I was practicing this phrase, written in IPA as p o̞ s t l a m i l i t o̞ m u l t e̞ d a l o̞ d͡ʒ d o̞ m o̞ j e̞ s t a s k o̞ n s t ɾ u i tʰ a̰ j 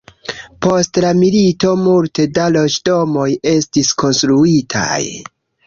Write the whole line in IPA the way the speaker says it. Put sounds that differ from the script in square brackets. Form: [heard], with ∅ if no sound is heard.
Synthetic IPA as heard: p o̞ s t l a m i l i t o̞ m u l t e̞ d a l o̞ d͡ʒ d o̞ m o̞ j e̞ s t [i] s k o̞ n s t ɾ u i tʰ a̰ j